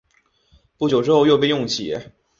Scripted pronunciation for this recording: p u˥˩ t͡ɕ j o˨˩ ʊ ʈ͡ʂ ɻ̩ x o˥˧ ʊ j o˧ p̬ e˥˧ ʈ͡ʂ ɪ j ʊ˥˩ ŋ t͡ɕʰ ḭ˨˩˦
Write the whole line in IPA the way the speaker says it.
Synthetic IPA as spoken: p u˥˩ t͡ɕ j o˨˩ ʊ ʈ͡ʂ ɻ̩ x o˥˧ ʊ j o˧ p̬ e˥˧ ɪ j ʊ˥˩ ŋ t͡ɕʰ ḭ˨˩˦